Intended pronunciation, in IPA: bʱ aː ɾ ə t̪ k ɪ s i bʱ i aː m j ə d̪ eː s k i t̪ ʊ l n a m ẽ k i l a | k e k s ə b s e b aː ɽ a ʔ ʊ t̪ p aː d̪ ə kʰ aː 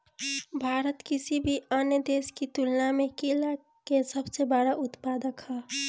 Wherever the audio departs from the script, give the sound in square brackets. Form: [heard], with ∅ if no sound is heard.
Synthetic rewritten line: bʱ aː ɾ ə t̪ k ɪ s i bʱ i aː [n] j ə d̪ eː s k i t̪ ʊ l n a m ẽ k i l a | k e [∅] s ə b s e b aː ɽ a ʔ ʊ t̪ p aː d̪ ə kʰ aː